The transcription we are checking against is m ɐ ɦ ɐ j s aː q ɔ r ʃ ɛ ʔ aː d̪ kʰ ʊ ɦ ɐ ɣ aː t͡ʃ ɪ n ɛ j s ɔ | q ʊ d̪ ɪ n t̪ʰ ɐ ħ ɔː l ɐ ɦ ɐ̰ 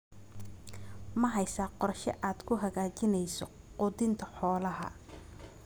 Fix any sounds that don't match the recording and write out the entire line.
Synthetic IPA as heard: m ɐ ɦ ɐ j s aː q ɔ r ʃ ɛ ʔ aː d̪ kʰ ʊ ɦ ɐ ɣ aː t͡ʃ ɪ n ɛ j s ɔ | q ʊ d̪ ɪ n t̪ʰ ɐ ħ ɔː l ɐ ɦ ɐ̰